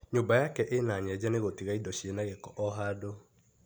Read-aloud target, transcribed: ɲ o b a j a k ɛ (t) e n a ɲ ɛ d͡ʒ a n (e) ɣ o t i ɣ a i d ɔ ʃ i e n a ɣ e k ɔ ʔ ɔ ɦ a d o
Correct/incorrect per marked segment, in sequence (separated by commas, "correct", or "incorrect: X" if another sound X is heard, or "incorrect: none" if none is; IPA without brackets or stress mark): incorrect: ʔ, correct